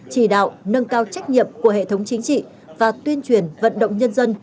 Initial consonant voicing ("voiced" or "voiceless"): voiceless